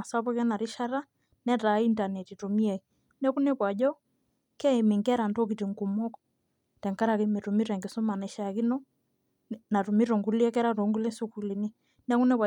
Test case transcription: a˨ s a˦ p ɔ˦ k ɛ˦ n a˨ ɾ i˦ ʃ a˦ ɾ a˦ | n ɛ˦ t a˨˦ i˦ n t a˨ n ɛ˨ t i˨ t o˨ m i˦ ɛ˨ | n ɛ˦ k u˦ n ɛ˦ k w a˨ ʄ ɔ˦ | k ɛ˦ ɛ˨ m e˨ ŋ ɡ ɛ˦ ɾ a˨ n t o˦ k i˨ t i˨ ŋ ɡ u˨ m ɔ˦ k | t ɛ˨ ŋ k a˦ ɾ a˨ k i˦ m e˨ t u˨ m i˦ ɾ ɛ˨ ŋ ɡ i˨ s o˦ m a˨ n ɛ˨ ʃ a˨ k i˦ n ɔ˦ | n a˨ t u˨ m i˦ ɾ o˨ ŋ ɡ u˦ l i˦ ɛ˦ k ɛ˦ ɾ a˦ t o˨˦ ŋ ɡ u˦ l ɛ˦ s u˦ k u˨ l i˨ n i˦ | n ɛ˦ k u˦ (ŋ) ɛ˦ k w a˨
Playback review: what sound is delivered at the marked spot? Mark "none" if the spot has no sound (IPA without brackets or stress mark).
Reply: n